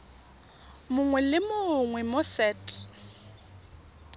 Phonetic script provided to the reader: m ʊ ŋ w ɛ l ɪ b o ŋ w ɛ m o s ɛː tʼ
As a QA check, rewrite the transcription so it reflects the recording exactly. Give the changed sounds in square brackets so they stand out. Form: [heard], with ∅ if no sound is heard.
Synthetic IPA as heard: m ʊ ŋ w ɛ l ɪ [m] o ŋ w ɛ m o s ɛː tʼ